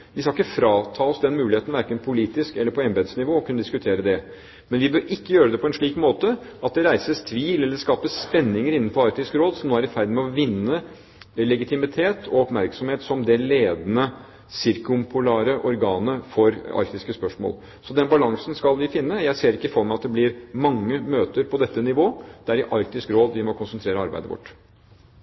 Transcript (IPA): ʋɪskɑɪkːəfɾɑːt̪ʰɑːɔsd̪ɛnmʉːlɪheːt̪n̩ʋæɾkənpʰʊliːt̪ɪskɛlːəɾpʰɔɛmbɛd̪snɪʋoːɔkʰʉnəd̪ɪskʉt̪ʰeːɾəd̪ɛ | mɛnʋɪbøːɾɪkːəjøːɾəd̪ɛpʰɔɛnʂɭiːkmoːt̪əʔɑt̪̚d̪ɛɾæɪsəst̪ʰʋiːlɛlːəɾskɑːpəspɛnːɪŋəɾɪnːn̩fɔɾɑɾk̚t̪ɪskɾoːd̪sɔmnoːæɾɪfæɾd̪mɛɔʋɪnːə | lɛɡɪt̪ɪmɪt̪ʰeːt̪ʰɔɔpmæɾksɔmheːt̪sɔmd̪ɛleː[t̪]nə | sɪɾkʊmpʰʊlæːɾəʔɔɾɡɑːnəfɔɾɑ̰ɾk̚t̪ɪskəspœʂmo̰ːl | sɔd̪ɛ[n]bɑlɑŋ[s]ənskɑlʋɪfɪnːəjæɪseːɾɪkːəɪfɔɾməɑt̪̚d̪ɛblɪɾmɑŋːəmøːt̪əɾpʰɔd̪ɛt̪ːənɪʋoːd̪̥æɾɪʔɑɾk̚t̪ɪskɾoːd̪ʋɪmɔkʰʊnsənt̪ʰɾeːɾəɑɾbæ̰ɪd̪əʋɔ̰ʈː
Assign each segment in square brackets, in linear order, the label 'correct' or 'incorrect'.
incorrect: d̪, correct, correct

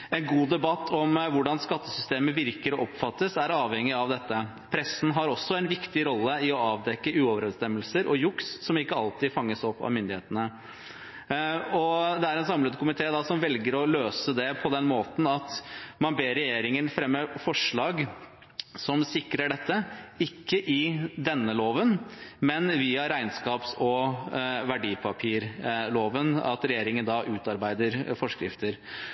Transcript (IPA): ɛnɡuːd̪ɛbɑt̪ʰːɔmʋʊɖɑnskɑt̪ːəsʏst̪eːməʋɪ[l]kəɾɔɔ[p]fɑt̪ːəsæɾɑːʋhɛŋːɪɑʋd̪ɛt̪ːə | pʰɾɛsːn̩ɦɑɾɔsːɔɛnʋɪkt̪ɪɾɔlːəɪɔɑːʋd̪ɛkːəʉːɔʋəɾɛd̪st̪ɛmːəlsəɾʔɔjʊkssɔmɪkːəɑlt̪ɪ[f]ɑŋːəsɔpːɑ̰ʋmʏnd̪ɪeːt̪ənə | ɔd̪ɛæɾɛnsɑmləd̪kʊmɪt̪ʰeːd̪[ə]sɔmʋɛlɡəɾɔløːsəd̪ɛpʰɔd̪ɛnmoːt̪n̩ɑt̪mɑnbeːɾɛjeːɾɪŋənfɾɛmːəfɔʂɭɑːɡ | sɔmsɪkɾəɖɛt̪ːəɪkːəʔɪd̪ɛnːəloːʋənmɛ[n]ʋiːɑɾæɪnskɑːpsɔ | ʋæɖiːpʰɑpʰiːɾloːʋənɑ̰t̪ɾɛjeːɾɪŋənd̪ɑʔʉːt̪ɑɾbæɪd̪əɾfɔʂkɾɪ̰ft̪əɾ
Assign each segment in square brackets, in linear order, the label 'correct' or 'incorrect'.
incorrect: ɾ, correct, correct, incorrect: ɑ, correct

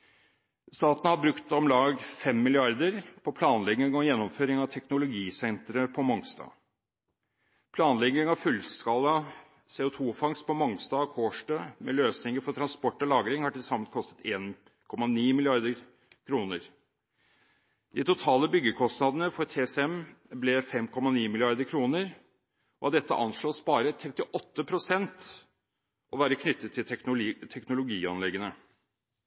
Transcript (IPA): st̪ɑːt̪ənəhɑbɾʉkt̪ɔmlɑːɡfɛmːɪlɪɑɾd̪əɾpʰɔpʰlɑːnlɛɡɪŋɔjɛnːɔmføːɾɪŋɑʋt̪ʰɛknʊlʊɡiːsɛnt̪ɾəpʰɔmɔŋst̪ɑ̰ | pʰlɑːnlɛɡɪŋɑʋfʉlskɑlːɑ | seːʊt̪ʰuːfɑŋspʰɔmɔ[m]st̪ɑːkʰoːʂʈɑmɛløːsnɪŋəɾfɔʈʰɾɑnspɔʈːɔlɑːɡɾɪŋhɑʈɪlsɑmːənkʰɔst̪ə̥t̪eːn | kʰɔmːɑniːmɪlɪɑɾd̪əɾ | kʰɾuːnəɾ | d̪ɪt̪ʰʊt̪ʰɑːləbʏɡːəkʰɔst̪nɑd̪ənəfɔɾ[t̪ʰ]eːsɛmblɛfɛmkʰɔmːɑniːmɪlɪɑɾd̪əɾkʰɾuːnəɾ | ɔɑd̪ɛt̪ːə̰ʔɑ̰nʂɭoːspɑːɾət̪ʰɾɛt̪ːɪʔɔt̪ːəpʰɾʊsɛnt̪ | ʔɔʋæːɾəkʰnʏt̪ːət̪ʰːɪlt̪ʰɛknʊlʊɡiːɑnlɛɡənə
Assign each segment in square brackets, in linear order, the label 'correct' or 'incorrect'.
incorrect: ŋ, correct

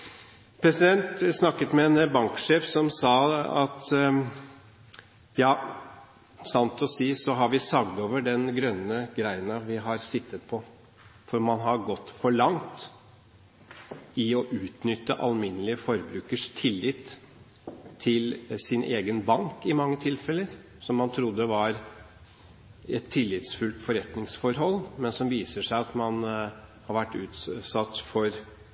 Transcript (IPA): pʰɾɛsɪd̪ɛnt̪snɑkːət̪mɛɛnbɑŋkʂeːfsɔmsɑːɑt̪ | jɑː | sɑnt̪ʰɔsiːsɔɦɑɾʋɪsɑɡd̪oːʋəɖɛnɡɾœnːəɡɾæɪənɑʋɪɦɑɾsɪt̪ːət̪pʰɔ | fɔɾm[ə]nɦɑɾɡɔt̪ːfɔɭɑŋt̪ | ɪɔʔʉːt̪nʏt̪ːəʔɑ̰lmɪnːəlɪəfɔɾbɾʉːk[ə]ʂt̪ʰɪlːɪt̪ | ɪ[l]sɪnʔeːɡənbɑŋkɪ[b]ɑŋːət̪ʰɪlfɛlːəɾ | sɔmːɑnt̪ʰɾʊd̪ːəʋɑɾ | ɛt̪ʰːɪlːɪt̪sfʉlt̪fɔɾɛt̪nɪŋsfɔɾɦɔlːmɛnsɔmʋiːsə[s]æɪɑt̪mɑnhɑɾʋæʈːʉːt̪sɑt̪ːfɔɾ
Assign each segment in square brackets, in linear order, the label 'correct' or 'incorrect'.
incorrect: ɑ, correct, correct, incorrect: m, incorrect: ʂ

